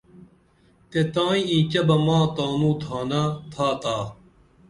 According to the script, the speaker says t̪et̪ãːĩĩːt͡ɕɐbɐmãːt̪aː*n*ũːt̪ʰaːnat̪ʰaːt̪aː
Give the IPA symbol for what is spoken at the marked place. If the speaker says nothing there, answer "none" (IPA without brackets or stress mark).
n